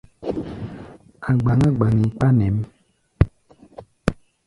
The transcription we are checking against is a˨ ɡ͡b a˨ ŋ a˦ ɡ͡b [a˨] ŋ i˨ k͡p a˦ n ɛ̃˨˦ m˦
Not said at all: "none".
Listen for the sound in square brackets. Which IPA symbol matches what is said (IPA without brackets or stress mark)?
a˨